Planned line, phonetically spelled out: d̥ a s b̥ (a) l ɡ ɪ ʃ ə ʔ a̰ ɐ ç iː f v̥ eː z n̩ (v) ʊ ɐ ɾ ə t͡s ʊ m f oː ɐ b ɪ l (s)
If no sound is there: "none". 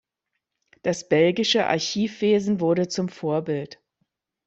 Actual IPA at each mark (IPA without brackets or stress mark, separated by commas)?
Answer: ɛ, v, t